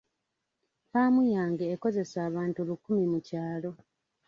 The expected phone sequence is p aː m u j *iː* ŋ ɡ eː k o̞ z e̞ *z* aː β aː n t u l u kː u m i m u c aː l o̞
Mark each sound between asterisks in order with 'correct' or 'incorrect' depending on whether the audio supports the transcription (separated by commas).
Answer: incorrect, incorrect